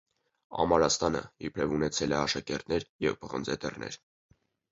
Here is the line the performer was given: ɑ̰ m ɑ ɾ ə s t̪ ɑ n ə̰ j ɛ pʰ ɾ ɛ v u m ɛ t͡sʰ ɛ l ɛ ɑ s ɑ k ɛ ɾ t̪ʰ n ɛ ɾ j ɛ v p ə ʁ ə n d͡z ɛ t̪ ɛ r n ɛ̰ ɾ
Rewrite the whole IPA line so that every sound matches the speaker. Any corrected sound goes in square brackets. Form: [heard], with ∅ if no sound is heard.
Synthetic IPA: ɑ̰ m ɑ ɾ [ɑ] s t̪ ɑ n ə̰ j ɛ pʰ ɾ ɛ v u [n] ɛ t͡sʰ ɛ l ɛ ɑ [ʃ] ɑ k ɛ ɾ [t̪] n ɛ ɾ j ɛ v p ə ʁ ə n d͡z ɛ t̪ ɛ r n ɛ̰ ɾ